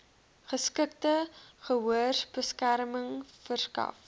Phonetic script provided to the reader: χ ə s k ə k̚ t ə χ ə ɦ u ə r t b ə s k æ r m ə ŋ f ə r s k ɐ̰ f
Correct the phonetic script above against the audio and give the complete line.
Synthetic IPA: χ ə s k ə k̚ t ə χ ə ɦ u ə r s b ə s k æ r m ə ŋ f ə r s k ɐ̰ f